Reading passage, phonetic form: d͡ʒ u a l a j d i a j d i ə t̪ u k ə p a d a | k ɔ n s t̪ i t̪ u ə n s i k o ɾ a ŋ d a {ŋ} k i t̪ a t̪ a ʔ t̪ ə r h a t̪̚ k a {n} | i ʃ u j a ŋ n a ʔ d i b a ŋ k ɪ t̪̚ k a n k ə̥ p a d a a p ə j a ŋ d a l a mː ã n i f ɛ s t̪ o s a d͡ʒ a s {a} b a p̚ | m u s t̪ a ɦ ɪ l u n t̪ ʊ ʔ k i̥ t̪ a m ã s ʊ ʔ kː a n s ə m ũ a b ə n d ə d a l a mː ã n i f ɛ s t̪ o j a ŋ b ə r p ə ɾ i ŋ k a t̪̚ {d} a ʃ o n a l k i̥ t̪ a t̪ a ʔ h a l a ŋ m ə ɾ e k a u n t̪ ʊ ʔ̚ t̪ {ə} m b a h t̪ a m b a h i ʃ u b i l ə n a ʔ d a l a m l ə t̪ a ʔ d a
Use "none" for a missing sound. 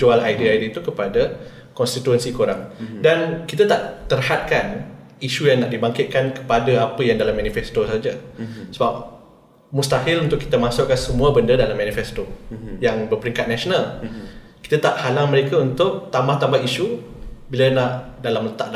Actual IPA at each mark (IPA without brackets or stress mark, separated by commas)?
n, n, ə, n, a